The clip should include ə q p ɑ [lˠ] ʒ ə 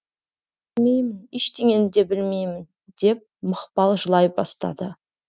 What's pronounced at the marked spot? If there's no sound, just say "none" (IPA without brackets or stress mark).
lˠ